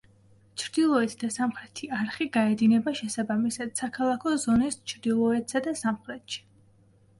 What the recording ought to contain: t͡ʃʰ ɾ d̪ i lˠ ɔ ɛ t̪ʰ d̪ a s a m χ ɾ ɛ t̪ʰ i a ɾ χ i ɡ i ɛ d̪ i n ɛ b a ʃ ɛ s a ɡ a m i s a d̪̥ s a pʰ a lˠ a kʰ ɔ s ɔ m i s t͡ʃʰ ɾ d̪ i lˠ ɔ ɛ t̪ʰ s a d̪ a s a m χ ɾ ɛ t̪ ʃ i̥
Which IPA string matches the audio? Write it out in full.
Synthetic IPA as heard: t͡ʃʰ ɾ d̪ i lˠ ɔ ɛ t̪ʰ d̪ a s a m χ ɾ ɛ t̪ʰ i a ɾ χ i ɡ a ɛ d̪ i n ɛ b a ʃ ɛ s a b a m i s a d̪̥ s a kʰ a lˠ a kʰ ɔ z ɔ n i s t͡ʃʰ ɾ d̪ i lˠ ɔ ɛ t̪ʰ s a d̪ a s a m χ ɾ ɛ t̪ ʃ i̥